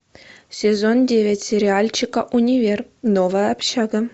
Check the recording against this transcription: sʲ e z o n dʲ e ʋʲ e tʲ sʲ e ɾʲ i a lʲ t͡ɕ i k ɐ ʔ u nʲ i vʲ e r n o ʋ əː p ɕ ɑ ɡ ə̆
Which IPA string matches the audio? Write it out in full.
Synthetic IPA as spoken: sʲ e z o n dʲ e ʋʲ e tʲ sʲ e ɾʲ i a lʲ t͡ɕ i k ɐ ʔ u nʲ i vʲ e r n o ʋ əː p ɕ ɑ ɡ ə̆